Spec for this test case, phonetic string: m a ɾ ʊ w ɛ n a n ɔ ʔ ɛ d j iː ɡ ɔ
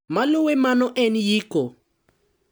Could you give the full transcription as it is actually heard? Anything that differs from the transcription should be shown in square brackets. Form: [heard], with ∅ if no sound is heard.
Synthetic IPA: m a [l] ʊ w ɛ [m] a n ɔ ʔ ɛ [n] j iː [k] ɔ